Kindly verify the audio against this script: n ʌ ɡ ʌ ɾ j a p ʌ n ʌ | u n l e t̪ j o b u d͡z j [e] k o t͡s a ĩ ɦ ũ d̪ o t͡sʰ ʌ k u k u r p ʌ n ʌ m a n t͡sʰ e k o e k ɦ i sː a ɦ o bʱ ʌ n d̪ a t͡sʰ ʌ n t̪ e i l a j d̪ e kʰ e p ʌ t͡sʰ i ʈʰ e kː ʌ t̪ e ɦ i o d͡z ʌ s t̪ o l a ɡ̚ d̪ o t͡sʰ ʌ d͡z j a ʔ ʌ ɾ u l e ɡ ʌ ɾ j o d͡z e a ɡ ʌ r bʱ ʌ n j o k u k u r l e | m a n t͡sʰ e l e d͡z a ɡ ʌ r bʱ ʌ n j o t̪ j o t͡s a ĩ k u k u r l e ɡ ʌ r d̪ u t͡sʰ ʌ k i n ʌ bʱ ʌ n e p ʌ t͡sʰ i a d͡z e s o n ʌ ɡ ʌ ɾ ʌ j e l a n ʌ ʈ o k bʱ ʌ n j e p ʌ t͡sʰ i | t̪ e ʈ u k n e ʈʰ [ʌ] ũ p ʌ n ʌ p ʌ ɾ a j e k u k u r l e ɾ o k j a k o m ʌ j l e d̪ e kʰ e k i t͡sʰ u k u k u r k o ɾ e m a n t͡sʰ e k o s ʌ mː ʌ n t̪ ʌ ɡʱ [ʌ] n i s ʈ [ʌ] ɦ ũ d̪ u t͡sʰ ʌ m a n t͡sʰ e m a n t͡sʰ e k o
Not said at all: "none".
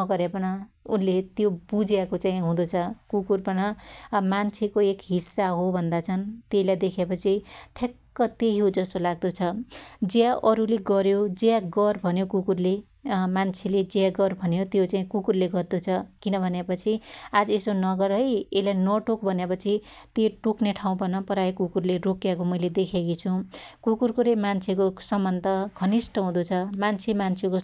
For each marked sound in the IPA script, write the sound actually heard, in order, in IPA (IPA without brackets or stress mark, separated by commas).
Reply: a, a, ʌ, ʌ